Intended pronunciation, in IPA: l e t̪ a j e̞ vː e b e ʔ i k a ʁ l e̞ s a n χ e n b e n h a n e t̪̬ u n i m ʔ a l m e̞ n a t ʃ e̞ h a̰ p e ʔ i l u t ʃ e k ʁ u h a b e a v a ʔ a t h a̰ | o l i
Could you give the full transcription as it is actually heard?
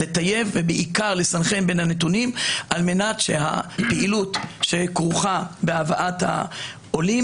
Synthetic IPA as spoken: l e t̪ a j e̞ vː e b e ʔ i k a ʁ l e̞ s a n χ e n b e n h a n e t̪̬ u n i m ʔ a l m e̞ n a t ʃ e̞ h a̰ p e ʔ i l u t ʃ e k ʁ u χ a b e a v a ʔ a t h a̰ | o l i